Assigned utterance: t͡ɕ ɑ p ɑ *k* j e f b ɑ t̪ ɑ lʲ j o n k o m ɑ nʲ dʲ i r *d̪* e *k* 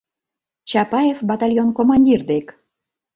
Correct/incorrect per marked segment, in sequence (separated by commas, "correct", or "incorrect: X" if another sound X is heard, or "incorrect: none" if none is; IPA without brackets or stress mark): incorrect: none, correct, correct